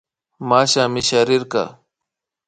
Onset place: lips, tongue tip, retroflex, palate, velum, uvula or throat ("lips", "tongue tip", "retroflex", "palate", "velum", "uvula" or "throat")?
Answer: lips